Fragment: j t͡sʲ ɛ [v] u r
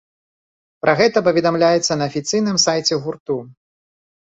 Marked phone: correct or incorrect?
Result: incorrect